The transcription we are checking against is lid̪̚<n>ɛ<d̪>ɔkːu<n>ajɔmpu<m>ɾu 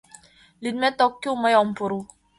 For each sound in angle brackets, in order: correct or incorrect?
incorrect: m, incorrect: t̪, incorrect: m, incorrect: none

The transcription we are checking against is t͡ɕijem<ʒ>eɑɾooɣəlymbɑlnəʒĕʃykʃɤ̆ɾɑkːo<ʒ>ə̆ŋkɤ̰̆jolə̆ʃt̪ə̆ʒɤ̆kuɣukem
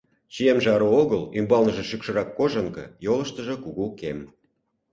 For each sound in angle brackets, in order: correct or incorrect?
correct, correct

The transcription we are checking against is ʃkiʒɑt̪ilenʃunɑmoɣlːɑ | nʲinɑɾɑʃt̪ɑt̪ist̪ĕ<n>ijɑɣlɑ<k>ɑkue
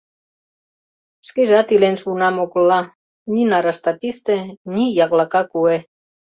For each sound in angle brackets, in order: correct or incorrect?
correct, correct

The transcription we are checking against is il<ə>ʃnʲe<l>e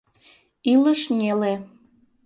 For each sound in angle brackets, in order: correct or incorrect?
correct, correct

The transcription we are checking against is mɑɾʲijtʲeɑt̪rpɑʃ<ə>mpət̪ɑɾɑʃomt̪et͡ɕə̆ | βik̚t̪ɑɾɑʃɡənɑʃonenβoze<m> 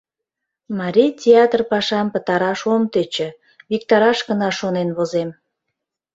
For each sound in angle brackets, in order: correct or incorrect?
incorrect: ɑ, correct

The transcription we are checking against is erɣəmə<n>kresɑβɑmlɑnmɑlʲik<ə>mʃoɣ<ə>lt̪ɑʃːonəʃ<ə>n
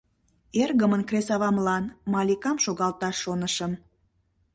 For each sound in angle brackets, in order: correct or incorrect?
correct, incorrect: ɑ, incorrect: ɑ, correct

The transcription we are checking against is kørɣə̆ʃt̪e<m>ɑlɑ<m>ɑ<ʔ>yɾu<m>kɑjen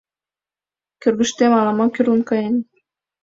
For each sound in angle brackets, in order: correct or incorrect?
correct, correct, incorrect: k, incorrect: n

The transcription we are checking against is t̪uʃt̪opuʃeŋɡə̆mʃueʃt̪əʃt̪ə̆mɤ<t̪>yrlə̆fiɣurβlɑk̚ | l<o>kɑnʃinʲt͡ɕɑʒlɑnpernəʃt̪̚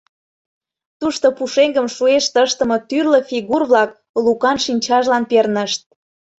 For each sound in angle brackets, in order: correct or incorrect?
correct, incorrect: u

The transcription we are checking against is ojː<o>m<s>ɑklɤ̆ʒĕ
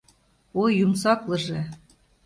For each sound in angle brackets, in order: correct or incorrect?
incorrect: u, correct

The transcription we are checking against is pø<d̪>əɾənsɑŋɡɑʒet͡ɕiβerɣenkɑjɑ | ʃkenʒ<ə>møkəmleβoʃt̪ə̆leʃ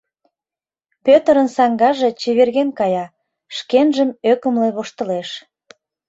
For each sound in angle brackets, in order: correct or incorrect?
incorrect: t̪, correct

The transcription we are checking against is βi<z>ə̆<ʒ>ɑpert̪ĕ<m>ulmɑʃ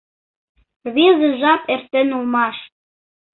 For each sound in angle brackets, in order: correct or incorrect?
correct, correct, incorrect: n

